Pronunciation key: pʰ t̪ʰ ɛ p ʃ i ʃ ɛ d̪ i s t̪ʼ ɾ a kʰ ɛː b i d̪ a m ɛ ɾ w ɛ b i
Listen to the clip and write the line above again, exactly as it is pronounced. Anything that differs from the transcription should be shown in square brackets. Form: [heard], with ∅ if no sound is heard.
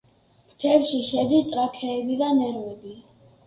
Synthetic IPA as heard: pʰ t̪ʰ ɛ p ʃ i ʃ ɛ d̪ i s t̪ʼ ɾ a kʰ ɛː b i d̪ a [n] ɛ ɾ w ɛ b i